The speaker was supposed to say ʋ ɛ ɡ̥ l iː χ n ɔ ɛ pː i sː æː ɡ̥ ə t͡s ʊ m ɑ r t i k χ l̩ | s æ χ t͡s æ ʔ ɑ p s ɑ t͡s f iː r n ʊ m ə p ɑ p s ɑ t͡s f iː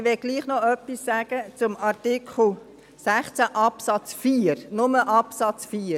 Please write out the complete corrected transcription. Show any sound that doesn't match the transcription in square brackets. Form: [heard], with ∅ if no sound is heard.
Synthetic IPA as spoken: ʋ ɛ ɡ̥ l iː χ n ɔ [œ] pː i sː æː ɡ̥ ə t͡s ʊ m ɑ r t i k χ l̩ | s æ χ t͡s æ ʔ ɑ p s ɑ t͡s f iː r n ʊ m ə [ʔ] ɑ p s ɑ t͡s f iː